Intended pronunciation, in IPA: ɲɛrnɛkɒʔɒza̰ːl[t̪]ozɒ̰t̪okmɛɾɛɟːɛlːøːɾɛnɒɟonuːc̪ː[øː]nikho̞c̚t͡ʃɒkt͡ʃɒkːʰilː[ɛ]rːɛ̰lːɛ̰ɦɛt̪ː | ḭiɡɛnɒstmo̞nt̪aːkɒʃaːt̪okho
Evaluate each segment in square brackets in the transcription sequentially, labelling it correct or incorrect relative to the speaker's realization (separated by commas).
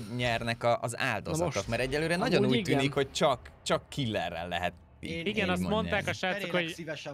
incorrect, incorrect, correct